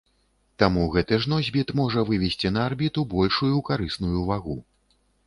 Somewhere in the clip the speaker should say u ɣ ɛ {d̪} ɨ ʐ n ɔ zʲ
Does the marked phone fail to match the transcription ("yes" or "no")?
yes